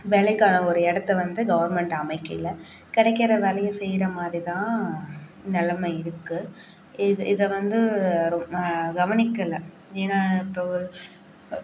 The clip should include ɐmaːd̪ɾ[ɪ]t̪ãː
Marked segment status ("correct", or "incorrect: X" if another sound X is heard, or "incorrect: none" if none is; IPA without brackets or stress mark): incorrect: i